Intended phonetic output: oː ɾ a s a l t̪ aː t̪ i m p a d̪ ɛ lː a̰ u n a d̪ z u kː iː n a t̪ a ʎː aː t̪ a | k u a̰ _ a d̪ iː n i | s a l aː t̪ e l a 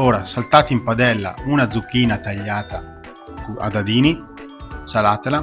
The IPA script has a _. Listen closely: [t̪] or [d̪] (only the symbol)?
d̪